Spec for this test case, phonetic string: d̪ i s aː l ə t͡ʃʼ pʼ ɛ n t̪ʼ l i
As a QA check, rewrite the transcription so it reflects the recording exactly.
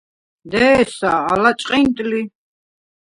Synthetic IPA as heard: d̪ ɛ s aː l a t͡ʃʼ qʼ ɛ n t̪ʼ l i